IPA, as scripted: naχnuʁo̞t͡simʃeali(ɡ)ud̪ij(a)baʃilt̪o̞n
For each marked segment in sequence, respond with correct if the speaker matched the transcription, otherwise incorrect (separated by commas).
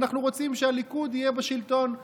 incorrect, incorrect